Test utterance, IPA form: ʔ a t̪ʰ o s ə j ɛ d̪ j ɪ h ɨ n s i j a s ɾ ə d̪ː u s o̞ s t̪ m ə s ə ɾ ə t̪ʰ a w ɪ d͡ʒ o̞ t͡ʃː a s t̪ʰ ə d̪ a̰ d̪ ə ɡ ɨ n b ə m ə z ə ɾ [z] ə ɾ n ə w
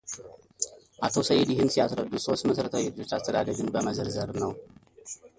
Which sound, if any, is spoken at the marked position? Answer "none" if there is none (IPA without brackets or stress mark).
z